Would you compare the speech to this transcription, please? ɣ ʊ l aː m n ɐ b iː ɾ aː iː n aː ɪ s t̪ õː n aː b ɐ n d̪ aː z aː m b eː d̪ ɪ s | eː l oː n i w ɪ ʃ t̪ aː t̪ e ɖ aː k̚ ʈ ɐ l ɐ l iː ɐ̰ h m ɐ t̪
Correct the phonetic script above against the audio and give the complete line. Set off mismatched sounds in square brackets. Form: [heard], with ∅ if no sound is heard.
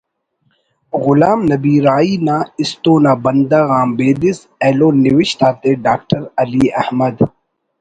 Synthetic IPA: ɣ ʊ l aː m n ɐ b iː ɾ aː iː n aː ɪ s t̪ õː n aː b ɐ n d̪ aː [ɣ] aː m b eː d̪ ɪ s | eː l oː n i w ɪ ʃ t̪ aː t̪ e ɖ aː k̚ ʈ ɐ [ɾ] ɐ l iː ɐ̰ h m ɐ [d̪]